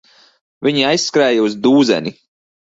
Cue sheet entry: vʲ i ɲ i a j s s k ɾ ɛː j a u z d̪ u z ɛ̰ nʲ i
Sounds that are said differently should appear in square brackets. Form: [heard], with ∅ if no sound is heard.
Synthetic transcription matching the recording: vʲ i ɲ i a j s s k ɾ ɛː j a u z d̪ [uː] z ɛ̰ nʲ i